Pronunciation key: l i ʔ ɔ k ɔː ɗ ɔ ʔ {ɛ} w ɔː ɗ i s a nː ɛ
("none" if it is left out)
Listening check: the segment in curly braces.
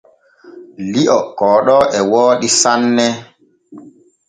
ɛ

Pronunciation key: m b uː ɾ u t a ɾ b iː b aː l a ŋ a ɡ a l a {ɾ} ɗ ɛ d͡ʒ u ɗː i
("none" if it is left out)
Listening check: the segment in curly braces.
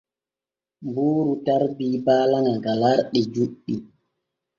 ɾ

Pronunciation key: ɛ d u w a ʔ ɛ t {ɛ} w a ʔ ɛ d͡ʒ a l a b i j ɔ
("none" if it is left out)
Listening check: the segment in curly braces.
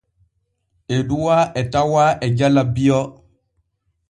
a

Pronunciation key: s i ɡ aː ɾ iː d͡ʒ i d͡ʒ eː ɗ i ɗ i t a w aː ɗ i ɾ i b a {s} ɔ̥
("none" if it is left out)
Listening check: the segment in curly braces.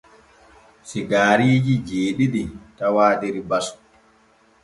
s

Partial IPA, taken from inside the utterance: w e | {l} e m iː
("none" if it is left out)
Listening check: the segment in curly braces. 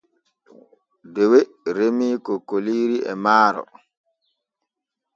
ɾ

